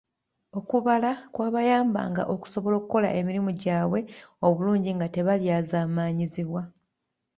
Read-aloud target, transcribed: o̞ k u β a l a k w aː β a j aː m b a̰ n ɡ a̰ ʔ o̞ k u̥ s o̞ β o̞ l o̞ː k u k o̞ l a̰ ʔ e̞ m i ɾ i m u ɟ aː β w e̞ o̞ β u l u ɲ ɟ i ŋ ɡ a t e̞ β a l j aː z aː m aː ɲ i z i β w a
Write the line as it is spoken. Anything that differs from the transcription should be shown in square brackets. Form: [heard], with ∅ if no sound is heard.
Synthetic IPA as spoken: o̞ k u β a l a k w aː β a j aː m b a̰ [ŋ] ɡ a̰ ʔ o̞ k u̥ s o̞ β o̞ l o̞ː k u k o̞ l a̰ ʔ e̞ m i ɾ i m u ɟ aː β w e̞ o̞ β u l [uː] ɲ ɟ i ŋ ɡ a t e̞ β a l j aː z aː m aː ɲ i z i β w a